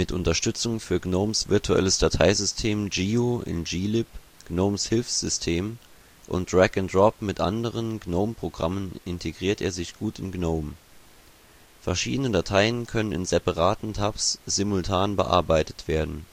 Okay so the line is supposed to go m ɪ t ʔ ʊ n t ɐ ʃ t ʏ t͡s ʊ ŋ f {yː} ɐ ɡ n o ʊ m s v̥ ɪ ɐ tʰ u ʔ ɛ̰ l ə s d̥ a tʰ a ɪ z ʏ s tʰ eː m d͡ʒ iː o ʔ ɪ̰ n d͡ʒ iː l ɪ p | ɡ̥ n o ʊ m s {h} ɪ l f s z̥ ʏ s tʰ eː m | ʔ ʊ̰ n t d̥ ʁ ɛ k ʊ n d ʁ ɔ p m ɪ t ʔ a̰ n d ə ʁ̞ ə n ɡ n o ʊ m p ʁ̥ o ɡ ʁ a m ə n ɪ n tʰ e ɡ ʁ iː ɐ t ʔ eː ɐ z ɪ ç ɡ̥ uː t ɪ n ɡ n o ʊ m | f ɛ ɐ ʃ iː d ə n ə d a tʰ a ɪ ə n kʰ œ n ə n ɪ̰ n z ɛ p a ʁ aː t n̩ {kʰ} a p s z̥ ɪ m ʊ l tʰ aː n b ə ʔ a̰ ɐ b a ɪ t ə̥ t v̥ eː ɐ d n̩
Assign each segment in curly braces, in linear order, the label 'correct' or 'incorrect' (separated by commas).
correct, correct, incorrect